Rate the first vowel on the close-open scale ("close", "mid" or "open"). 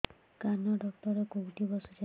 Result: open